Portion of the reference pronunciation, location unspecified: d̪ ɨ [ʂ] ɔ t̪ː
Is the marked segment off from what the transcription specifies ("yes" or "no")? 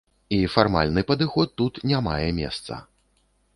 yes